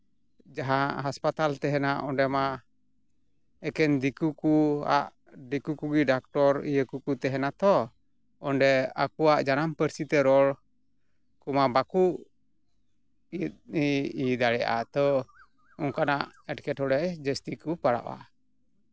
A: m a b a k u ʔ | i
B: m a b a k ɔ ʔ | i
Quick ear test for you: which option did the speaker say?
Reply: A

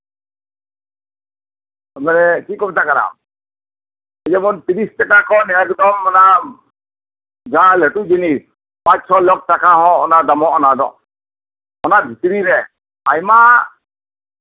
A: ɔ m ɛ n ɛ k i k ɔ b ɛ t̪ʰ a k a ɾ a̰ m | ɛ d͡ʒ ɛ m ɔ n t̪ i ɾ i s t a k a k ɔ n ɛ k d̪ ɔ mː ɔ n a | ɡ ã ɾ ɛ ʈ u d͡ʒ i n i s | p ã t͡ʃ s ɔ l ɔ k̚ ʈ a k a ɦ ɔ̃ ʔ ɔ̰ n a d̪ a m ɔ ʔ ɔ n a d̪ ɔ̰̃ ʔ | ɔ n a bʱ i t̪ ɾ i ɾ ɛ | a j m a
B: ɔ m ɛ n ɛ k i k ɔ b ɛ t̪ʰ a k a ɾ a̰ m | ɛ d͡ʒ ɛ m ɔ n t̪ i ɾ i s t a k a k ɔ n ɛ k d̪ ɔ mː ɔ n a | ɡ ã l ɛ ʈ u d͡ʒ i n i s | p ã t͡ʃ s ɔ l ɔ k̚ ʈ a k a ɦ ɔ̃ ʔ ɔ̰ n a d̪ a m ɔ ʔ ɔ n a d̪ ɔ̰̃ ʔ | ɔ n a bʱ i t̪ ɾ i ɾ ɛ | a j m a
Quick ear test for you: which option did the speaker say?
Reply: B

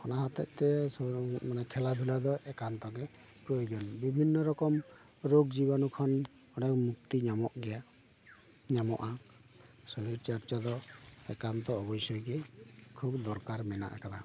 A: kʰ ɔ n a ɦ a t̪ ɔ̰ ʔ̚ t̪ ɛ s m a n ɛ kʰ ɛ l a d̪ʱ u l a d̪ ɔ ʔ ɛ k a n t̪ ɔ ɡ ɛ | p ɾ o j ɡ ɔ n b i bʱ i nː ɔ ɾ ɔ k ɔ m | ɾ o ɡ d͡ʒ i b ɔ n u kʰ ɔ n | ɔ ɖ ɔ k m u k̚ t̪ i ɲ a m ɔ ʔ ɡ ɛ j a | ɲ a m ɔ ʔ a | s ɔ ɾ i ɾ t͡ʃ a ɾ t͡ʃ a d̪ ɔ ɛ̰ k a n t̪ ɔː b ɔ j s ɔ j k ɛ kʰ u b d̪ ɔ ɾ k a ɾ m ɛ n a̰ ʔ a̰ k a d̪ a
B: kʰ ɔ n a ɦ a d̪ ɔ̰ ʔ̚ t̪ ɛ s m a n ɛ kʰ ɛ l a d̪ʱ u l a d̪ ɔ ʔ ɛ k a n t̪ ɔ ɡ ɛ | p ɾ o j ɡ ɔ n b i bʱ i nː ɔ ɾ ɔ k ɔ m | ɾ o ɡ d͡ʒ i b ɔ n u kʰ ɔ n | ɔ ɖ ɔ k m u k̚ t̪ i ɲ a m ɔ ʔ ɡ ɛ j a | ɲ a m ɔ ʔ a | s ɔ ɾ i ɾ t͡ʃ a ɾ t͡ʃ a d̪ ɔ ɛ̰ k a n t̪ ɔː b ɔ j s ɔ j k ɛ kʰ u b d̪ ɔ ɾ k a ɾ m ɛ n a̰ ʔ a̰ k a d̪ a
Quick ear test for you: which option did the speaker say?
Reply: A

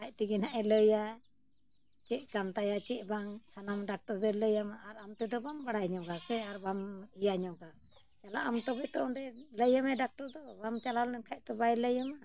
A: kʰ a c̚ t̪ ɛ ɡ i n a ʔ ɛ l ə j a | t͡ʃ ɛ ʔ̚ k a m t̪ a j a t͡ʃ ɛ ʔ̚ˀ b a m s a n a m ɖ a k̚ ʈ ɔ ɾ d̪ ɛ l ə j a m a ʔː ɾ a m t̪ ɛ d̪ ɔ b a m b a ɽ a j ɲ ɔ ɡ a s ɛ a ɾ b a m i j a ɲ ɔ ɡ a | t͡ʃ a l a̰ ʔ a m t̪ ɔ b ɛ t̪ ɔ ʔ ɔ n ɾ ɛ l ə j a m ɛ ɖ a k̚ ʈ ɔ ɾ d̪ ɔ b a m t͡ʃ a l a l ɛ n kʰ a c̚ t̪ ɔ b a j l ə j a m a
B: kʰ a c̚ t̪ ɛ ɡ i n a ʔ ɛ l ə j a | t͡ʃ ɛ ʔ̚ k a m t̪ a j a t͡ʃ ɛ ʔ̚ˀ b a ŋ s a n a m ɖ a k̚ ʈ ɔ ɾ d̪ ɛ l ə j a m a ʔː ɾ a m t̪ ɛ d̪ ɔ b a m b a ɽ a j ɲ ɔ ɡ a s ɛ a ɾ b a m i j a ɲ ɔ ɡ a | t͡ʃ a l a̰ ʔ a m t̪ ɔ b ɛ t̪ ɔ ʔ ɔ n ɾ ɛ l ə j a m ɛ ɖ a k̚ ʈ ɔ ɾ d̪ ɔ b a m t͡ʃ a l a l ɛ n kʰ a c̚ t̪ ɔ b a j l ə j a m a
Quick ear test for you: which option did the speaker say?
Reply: B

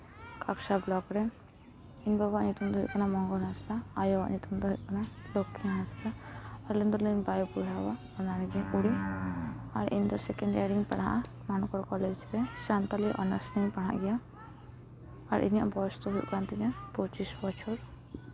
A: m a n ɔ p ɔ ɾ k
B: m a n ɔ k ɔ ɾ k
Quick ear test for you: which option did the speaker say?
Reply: B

